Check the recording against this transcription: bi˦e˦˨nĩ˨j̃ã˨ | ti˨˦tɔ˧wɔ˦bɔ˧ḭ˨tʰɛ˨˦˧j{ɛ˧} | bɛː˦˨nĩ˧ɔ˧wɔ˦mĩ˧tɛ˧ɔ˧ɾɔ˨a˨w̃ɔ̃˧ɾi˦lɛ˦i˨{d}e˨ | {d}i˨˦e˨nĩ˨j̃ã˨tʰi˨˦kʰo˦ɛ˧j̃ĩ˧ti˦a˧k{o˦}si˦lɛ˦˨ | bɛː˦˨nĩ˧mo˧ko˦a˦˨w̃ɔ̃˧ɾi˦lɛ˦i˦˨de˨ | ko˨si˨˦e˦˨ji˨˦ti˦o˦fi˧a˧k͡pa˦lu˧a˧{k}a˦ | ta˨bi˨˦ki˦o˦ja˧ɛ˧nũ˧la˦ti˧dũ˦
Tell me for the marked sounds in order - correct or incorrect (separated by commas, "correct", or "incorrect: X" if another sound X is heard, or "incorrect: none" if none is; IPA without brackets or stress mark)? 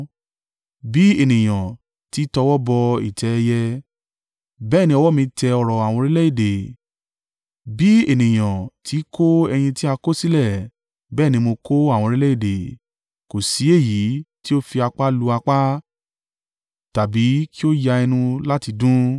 correct, correct, incorrect: b, correct, incorrect: k͡p